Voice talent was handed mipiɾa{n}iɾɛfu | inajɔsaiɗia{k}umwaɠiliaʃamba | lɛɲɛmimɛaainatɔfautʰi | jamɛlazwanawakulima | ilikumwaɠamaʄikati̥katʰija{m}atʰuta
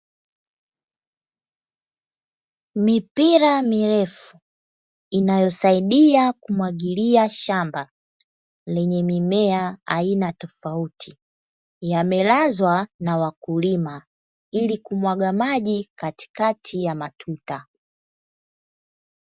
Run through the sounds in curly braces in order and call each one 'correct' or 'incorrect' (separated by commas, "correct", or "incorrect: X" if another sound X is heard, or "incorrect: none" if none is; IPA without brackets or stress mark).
incorrect: m, correct, correct